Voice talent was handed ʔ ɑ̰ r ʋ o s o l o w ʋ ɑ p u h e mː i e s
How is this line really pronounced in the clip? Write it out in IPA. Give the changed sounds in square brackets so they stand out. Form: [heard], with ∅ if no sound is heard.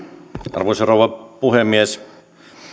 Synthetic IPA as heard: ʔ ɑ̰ r ʋ o s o [r] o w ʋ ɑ p u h e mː i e s